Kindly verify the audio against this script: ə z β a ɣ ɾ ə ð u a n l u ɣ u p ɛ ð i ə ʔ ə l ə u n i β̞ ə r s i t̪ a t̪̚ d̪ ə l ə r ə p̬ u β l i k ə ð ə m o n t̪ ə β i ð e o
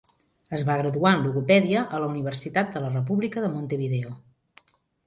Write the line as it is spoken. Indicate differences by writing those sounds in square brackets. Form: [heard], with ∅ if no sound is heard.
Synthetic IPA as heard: ə z β a ɣ ɾ ə ð u a n l u ɣ u p ɛ ð i ə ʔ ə l ə u n i β̞ ə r s i t̪ a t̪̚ d̪ ə l ə r ə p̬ u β l i k ə ð ə m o n t̪ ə β i ð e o